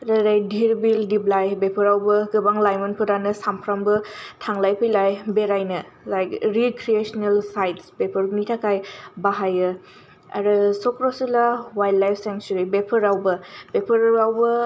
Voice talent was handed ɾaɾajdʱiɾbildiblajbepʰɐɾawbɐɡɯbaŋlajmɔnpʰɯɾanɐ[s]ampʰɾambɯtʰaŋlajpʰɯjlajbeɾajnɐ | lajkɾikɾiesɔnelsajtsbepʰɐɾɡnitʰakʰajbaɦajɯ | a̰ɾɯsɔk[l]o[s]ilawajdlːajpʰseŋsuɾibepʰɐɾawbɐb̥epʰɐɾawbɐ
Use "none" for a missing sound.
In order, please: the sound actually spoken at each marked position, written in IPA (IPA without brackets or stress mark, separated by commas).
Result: s, ɾ, s